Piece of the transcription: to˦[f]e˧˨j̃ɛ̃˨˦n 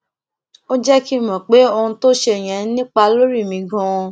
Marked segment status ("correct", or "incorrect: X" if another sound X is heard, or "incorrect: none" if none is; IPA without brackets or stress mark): incorrect: ʃ